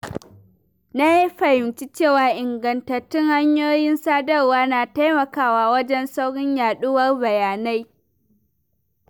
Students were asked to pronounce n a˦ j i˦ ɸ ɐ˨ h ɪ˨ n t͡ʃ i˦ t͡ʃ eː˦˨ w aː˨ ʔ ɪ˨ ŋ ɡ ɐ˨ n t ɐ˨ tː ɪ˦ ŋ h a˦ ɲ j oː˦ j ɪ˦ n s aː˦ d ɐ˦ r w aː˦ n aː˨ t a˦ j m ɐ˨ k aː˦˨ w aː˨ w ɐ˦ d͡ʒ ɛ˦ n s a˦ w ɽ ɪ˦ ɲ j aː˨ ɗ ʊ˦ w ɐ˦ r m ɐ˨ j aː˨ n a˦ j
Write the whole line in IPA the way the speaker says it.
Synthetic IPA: n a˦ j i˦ ɸ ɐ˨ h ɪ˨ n t͡ʃ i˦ t͡ʃ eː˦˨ w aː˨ ʔ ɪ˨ ŋ ɡ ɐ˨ n t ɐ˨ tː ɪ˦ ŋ h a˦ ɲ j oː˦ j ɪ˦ n s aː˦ d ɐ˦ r w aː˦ n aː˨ t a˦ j m ɐ˨ k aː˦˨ w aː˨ w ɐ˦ d͡ʒ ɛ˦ n s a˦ w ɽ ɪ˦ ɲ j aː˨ ɗ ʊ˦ w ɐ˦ r b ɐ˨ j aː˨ n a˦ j